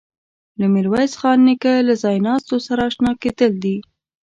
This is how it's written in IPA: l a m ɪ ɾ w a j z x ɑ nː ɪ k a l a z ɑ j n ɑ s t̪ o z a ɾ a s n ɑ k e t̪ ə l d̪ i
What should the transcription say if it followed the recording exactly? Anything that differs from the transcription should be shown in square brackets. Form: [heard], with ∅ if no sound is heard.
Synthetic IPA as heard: l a m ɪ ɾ w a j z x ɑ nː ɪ k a l a z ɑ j n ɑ s t̪ o [s] a ɾ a [ʃ] n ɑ k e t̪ ə l d̪ i

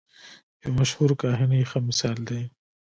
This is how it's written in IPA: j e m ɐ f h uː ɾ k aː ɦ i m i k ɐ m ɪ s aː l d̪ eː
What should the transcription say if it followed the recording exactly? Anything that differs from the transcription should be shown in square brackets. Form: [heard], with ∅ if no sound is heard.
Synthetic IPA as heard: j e m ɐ [ʃ] h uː ɾ k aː ɦ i [n] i [x] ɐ m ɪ s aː l d̪ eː

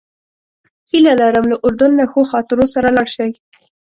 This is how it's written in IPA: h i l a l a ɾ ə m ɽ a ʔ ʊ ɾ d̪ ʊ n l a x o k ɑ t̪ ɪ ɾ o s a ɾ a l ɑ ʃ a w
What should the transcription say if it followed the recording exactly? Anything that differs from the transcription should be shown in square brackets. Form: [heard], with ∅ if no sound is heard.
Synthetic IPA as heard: h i l a l a ɾ ə m [l] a ʔ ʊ ɾ d̪ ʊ n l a x o [x] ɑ t̪ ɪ ɾ o s a ɾ a l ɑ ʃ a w

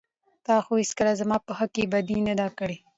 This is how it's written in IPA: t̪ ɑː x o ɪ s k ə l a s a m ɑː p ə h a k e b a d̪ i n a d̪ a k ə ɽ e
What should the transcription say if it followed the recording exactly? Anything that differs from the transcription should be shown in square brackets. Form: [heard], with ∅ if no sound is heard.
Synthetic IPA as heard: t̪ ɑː x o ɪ s k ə l a [z] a m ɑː p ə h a k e b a d̪ i n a d̪ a k ə ɽ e

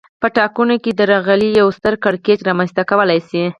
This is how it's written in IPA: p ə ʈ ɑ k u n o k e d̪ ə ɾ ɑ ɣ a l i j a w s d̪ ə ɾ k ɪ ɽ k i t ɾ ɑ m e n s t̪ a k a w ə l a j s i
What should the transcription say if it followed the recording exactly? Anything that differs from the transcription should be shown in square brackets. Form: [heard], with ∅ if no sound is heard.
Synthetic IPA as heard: p ə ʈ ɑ k u n o k e d̪ ə ɾ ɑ ɣ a l i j a w s [t̪] ə ɾ k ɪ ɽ k [e] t ɾ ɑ m [a] n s t̪ a k a w ə l a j s i

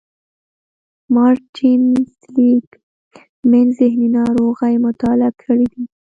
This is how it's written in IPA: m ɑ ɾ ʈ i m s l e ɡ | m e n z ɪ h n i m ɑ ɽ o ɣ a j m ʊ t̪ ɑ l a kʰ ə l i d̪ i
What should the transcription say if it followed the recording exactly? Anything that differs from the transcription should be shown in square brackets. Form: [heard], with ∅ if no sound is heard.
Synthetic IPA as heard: m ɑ ɾ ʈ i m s l [i] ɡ | m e n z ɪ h n i [n] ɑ [ɾ] o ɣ a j m ʊ t̪ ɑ l a kʰ ə [ɽ] i d̪ i

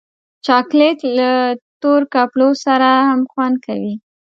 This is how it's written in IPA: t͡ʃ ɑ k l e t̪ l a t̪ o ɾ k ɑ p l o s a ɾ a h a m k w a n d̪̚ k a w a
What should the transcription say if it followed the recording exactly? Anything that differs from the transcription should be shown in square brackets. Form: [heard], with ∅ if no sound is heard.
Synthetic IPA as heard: t͡ʃ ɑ k l e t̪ l a t̪ o ɾ k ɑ p l o s a ɾ a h a m [x] w a n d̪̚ k a w [i]

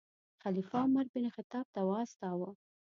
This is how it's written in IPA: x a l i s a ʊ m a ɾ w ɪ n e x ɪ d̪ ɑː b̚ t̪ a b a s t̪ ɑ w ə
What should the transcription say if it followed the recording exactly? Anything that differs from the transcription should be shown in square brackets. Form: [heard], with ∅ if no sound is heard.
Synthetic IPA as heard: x a l i [f] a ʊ m a ɾ [b] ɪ n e x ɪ [t̪] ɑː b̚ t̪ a [w] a s t̪ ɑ w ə

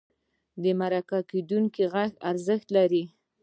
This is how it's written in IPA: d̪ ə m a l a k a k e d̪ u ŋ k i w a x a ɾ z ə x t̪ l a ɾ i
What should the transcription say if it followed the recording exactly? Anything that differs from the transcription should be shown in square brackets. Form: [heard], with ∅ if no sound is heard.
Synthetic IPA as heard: d̪ ə m a [ɾ] a k a k e d̪ u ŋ k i [ɣ] a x a ɾ z ə x t̪ l a ɾ i

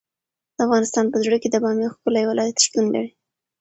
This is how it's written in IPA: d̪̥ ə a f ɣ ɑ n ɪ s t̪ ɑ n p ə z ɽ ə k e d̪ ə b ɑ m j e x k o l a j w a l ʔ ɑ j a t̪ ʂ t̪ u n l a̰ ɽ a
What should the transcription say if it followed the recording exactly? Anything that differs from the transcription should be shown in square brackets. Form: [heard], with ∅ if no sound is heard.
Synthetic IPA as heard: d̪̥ ə a f ɣ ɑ n ɪ s t̪ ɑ n p ə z ɽ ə k e d̪ ə b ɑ m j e x k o l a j w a l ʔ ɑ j a t̪ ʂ t̪ u n l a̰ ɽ [i]

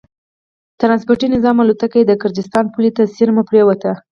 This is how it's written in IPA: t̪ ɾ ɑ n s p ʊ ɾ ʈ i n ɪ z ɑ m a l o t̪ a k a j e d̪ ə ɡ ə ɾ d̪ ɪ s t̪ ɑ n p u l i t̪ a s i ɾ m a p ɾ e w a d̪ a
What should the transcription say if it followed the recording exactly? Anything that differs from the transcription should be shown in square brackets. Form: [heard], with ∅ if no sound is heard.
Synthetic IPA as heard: t̪ ɾ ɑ n s p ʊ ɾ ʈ i n ɪ z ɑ m a l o t̪ a k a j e d̪ ə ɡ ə ɾ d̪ ɪ s t̪ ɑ n p u l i t̪ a s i ɾ m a p ɾ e w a [t̪] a

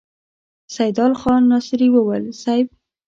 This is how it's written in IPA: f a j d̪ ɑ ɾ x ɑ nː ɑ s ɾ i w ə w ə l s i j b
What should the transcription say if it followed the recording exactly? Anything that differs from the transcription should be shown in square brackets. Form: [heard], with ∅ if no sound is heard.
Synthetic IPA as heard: [s] a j d̪ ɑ [l] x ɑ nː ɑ s ɾ i w ə w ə l s [a] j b

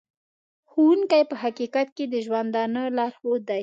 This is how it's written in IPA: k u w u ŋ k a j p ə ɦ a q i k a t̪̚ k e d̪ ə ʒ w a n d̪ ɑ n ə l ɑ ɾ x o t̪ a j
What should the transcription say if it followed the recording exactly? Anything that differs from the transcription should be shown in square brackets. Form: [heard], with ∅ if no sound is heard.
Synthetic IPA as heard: [x] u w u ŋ k a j p ə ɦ a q i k a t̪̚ k e d̪ ə ʒ w a n d̪ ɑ n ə l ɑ ɾ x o [d̪] a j

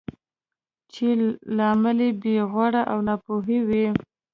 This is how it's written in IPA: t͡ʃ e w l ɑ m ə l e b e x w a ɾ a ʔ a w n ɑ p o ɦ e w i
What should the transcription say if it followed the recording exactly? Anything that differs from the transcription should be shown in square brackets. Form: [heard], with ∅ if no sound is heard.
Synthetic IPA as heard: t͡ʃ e [∅] l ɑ m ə l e b e [ɣ] w a [ɽ] a ʔ a w n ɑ p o ɦ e w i

